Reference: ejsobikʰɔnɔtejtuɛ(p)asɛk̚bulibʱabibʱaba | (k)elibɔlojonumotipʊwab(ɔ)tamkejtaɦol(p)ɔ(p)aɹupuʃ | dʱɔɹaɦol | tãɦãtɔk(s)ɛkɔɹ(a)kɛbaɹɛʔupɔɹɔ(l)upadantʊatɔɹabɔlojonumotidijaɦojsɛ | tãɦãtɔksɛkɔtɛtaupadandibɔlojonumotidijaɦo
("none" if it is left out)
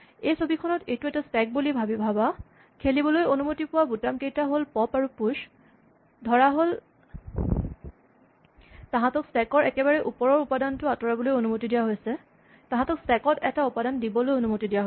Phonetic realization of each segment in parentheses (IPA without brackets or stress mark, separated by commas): t, kʰ, u, p, p, s, ɛ, ɹ